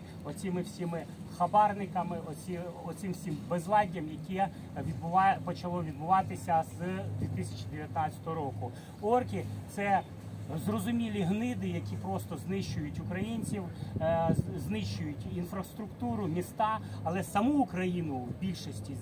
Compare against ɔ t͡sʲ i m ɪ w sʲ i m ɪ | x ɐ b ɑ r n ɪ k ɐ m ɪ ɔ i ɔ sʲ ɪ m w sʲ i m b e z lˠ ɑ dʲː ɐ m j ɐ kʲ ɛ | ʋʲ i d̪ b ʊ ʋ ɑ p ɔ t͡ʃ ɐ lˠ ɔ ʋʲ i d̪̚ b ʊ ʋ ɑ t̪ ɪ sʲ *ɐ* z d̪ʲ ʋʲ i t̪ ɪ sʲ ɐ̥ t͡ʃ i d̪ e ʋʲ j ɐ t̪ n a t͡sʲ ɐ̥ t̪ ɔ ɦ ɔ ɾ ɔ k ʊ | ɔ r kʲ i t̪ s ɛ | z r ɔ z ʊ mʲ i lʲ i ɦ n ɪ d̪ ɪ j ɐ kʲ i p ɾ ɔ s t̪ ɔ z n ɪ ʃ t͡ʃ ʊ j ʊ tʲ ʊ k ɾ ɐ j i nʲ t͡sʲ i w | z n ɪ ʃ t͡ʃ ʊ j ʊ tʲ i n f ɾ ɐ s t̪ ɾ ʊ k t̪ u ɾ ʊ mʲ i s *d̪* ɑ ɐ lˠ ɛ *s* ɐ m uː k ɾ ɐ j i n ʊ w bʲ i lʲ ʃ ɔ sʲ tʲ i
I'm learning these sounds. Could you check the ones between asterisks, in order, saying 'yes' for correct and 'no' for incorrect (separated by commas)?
yes, no, yes